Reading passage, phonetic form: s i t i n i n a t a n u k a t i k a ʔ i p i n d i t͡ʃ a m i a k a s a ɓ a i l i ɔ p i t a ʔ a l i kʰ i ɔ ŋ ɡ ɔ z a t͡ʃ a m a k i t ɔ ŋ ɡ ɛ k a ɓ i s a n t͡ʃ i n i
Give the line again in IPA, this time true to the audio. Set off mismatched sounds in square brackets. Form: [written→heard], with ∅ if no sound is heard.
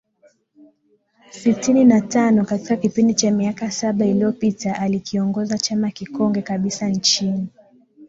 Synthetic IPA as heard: s i t i n i n a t a n [u→ɔ] k a t i k a [ʔ→k] i p i n d i t͡ʃ a m i a k a s a ɓ a i l i ɔ p i t a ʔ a l i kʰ i ɔ ŋ ɡ ɔ z a t͡ʃ a m a k i [t→k] ɔ ŋ ɡ ɛ k a ɓ i s a n t͡ʃ i n i